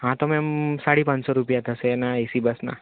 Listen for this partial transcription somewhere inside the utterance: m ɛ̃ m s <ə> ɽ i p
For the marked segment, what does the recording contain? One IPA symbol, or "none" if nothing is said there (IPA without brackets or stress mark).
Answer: a